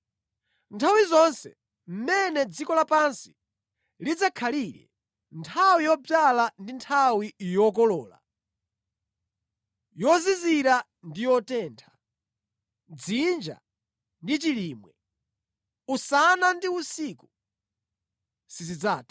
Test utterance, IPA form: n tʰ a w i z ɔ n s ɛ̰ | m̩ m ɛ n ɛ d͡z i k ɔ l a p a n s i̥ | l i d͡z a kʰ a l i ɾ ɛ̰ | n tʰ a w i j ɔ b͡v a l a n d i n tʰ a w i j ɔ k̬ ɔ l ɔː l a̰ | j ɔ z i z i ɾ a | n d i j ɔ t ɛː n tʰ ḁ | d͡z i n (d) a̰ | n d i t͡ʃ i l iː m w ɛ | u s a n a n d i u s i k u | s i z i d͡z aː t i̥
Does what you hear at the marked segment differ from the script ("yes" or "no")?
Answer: yes